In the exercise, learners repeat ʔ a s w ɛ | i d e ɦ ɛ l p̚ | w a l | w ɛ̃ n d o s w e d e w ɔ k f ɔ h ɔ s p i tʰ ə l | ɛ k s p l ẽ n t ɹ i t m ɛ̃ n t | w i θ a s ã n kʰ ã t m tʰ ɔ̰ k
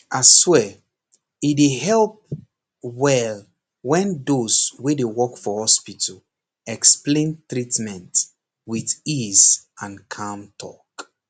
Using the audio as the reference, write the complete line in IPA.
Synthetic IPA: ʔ a s w ɛ | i d e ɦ ɛ l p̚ | w ɛ l | w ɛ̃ n d o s w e d e w ɔ k f ɔ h ɔ s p i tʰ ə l | ɛ k s p l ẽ n t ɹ i t m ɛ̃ n t | w i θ i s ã n kʰ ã m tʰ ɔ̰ k